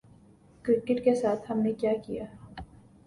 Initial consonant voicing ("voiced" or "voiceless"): voiceless